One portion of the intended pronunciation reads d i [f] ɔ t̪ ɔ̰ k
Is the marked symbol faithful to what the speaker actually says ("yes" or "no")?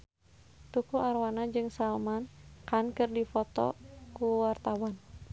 yes